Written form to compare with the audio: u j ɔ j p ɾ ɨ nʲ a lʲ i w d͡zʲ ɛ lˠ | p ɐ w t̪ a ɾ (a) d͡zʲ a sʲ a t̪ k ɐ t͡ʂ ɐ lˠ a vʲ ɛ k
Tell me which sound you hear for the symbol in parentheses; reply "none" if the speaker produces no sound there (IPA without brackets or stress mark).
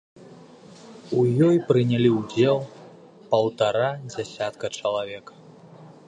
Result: a